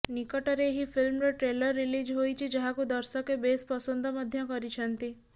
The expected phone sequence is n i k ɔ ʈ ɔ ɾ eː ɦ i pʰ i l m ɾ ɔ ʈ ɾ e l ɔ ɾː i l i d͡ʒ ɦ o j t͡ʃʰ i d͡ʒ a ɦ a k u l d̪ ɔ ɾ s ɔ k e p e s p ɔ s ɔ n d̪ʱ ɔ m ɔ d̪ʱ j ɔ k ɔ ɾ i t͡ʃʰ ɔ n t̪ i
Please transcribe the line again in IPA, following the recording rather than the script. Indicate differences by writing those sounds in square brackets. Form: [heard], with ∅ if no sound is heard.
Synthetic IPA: n i k ɔ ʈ ɔ ɾ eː ɦ i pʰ i l m ɾ ɔ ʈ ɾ e l ɔ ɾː i l i d͡ʒ ɦ o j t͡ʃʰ i d͡ʒ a ɦ a k u [∅] d̪ ɔ ɾ s ɔ k e [b] e s p ɔ s ɔ n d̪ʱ ɔ m ɔ d̪ʱ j ɔ k ɔ ɾ i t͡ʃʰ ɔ n t̪ i